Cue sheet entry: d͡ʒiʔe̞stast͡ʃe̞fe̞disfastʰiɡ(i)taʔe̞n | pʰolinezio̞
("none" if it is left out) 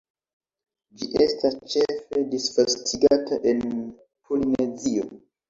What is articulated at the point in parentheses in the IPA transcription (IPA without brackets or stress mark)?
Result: a